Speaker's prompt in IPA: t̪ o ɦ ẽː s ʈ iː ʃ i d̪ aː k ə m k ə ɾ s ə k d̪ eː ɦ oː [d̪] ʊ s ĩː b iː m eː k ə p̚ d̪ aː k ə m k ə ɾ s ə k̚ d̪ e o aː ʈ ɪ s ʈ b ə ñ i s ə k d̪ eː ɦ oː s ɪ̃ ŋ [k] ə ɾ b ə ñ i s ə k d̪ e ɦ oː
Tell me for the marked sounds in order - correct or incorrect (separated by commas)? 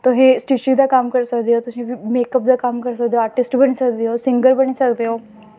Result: incorrect, incorrect